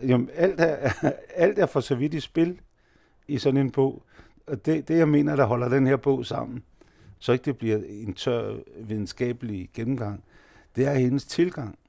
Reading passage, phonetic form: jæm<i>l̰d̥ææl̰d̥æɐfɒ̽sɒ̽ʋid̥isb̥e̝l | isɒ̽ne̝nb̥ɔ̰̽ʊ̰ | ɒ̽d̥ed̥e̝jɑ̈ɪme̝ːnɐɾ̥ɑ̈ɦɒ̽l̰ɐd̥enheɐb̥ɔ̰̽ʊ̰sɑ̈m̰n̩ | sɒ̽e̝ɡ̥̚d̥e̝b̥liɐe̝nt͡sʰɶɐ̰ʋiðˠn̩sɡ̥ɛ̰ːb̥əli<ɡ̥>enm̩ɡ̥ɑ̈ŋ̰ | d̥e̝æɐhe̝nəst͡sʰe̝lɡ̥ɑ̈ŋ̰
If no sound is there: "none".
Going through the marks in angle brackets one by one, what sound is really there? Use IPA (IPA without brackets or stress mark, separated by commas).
æ, ɡ̥